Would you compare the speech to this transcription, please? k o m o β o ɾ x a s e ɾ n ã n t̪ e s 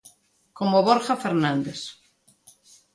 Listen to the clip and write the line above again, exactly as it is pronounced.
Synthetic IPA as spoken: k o m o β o ɾ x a f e ɾ n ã n d̪ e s